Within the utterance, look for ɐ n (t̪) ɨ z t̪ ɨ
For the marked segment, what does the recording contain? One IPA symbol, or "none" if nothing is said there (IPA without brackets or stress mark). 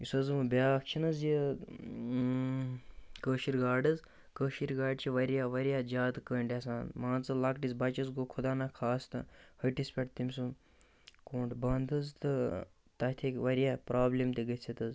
d̪